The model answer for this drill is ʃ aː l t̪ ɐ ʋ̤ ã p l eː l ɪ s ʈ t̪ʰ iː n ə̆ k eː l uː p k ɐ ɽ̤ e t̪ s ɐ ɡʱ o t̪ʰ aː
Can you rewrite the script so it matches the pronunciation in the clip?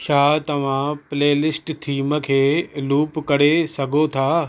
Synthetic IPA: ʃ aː t̪ ɐ ʋ̤ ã p l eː l ɪ s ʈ t̪ʰ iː m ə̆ kʰ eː l uː p k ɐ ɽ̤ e s ɐ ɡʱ o t̪ʰ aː